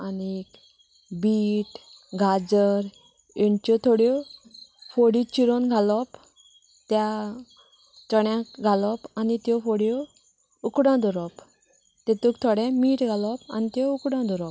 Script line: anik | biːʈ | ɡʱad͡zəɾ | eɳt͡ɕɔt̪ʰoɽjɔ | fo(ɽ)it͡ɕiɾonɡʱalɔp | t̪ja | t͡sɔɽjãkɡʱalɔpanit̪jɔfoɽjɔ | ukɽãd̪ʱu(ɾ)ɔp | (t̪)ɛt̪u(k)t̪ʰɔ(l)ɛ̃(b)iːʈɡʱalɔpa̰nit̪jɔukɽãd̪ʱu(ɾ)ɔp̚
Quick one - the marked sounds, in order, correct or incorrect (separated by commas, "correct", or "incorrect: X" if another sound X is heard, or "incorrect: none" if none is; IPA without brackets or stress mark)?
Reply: correct, correct, correct, correct, incorrect: ɽ, incorrect: m, correct